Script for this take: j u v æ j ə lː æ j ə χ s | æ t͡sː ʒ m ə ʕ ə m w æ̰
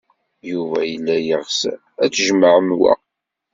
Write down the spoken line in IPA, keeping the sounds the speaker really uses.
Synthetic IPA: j u v æ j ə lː æ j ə ʁ s | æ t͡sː ʒ m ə ʕ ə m w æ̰